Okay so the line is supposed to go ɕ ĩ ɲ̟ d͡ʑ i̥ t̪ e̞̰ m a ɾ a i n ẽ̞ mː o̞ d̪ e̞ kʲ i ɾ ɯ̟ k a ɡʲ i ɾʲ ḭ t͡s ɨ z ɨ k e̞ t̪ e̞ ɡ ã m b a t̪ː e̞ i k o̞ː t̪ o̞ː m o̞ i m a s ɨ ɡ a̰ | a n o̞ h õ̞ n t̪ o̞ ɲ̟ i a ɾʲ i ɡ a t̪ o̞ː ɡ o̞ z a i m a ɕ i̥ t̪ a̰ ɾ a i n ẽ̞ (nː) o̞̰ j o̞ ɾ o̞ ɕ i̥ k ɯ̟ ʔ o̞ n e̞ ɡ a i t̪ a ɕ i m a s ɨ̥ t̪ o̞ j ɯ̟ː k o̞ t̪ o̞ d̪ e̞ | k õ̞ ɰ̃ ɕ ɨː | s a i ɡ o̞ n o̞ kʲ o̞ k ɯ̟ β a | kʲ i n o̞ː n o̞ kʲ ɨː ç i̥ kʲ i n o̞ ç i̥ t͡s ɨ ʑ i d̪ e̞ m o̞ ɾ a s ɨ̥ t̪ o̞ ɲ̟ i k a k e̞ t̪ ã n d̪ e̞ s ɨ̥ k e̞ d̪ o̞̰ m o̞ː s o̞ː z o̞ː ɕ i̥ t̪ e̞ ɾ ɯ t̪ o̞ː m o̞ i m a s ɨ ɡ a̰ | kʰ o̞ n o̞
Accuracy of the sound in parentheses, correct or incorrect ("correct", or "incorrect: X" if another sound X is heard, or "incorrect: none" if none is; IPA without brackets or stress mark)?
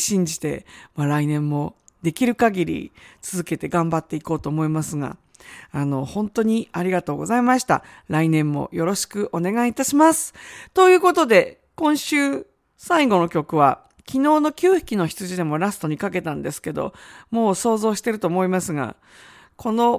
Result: incorrect: mː